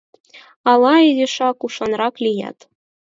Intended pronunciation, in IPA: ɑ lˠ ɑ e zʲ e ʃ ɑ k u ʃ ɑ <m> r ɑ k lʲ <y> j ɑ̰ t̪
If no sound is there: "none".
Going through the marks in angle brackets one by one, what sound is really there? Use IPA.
n, i

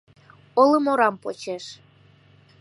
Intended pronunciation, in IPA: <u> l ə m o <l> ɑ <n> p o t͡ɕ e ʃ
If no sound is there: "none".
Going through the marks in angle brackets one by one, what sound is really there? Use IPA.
o, ɾ, m

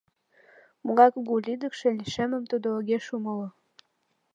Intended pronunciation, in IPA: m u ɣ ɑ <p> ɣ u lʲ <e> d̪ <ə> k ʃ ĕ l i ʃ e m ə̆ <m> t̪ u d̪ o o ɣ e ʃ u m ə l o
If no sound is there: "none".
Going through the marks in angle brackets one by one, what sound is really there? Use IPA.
k, i, ə, m

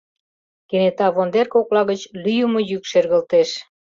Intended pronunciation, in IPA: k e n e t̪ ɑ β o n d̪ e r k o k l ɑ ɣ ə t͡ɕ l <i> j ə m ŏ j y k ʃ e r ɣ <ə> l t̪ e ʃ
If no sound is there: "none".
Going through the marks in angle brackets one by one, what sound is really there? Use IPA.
y, ə

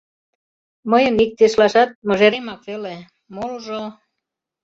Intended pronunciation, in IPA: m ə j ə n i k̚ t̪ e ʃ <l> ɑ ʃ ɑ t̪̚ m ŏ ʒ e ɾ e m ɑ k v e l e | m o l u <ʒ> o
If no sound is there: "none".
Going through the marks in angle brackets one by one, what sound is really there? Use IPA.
l, ʒ

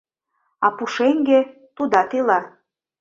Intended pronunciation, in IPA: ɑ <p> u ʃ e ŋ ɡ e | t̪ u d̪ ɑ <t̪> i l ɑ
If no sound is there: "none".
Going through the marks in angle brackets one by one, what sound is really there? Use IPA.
p, t̪

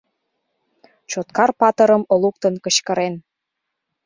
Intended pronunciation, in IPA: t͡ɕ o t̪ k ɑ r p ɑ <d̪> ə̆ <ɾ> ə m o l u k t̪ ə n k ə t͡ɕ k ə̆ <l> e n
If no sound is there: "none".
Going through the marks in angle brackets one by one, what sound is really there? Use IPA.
t̪, ɾ, ɾ

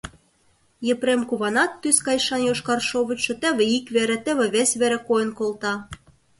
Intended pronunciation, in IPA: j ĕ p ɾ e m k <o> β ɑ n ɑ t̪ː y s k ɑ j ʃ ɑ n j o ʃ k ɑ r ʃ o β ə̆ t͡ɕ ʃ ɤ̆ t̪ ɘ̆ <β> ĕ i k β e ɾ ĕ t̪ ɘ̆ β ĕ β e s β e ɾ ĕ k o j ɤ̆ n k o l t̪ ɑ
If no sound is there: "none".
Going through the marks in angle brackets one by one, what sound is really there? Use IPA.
u, β

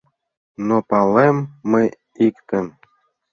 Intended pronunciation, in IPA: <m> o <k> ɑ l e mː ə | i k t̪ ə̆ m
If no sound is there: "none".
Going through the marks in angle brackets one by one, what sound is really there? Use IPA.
n, p

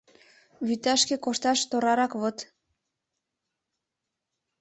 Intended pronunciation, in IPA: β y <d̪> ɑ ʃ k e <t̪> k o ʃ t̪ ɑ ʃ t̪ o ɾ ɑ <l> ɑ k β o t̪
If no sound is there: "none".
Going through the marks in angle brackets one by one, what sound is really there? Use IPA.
t̪, none, ɾ

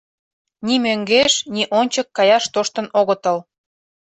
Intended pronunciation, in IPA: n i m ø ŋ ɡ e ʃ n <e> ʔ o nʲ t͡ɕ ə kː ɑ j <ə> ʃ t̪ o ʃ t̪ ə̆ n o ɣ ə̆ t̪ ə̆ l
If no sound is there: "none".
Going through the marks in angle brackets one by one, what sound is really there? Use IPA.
i, ɑ

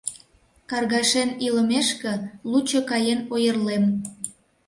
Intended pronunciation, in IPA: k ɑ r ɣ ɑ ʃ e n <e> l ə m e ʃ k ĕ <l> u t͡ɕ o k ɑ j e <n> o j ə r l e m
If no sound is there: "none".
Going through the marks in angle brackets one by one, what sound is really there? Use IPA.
i, l, n

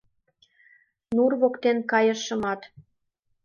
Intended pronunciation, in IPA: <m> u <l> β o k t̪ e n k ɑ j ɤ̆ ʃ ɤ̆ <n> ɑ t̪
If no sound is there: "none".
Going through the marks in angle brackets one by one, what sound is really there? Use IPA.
n, r, m

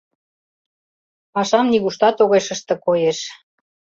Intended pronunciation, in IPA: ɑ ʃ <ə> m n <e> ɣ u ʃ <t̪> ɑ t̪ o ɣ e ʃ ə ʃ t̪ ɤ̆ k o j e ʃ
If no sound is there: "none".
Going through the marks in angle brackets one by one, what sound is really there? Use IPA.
ɑ, i, t̪

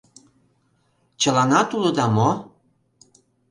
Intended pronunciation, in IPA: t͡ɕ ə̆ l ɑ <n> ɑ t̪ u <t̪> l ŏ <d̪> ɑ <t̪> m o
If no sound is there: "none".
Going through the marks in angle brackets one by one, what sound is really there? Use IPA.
n, none, d̪, none

